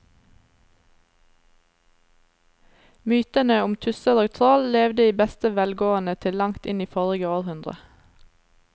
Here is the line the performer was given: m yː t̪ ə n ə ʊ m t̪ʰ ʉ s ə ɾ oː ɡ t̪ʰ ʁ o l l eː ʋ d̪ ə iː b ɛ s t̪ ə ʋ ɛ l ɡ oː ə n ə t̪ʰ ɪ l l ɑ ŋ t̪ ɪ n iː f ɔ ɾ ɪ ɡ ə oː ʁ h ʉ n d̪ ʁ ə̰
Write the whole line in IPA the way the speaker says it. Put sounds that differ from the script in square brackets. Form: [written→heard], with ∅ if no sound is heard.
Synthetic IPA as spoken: m yː t̪ ə n ə ʊ m t̪ʰ ʉ s ə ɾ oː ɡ t̪ʰ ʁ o l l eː ʋ d̪ ə iː b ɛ s t̪ ə ʋ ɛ l ɡ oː ə n ə t̪ʰ ɪ l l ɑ ŋ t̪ ɪ n iː f ɔ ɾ ɪ ɡ ə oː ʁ h ʉ n d̪ ʁ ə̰